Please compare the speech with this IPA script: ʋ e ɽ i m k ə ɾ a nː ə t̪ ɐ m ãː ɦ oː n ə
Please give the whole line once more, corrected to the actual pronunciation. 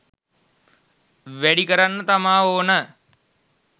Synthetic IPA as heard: ʋ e ɽ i k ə ɾ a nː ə t̪ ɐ m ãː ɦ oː n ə